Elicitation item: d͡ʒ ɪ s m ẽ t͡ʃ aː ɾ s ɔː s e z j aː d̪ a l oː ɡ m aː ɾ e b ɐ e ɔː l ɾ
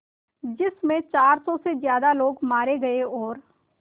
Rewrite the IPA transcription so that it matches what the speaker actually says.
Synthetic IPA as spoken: d͡ʒ ɪ s m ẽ t͡ʃ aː ɾ s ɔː s e z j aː d̪ a l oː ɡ m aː ɾ e ɡ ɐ e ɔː ɾ